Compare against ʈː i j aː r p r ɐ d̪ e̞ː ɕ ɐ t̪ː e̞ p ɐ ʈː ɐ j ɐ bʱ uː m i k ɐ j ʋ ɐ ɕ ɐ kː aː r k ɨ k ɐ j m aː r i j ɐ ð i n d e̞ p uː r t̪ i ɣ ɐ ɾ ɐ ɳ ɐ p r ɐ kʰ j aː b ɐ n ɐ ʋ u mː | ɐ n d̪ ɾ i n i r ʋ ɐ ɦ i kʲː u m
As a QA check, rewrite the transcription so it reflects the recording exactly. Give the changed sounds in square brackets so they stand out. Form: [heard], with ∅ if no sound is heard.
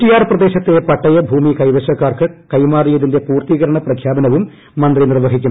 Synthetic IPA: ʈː i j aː r p r ɐ d̪ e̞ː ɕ ɐ t̪ː e̞ p ɐ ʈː ɐ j ɐ bʱ uː m i k ɐ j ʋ ɐ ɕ ɐ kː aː r k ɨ k ɐ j m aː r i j ɐ ð i n d e̞ p uː r t̪ i ɣ ɐ ɾ ɐ ɳ ɐ p r ɐ kʰ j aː b ɐ n ɐ ʋ u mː | ɐ n d̪ [r] i n i r ʋ ɐ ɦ i kʲː u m